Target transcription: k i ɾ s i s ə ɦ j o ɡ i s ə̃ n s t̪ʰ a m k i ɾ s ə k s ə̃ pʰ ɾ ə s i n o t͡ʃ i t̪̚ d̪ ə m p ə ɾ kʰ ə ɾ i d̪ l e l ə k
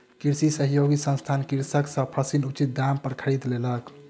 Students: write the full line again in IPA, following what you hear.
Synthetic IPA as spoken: k i ɾ s i s ə ɦ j o ɡ i s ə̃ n s t̪ʰ a n k i ɾ s ə k s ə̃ pʰ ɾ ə s i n u t͡ʃ i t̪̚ d̪ a m p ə ɾ kʰ ə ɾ i d̪ l e l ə k

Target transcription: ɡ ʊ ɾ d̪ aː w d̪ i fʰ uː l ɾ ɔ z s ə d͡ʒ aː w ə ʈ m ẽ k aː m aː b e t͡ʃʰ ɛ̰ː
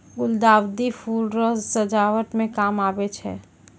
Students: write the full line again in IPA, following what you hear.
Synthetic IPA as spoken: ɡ ʊ l d̪ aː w d̪ i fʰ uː l ɾ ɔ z s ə d͡ʒ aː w ə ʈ m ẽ k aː m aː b e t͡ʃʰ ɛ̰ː

